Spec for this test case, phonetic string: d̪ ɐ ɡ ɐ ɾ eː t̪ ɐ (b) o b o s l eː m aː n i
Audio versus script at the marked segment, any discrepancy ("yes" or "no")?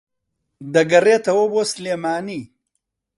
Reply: yes